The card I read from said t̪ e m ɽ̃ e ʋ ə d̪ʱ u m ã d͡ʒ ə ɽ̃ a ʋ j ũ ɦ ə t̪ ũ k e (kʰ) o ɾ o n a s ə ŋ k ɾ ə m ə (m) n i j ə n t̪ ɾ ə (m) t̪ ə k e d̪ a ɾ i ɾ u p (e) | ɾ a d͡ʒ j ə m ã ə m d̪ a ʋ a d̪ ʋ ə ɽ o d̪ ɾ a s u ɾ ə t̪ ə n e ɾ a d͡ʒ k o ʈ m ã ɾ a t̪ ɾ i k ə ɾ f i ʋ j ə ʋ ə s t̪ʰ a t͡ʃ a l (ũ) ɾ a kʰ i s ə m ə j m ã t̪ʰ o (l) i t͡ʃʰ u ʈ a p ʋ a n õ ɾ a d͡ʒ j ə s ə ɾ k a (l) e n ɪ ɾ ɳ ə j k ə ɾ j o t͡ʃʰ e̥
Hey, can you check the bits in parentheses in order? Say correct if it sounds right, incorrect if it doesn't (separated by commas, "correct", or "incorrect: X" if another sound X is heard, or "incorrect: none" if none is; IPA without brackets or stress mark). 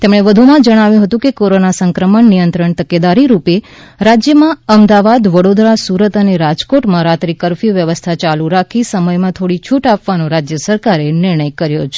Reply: incorrect: k, incorrect: ɳ, incorrect: ɳ, correct, incorrect: u, incorrect: ɽ, incorrect: ɾ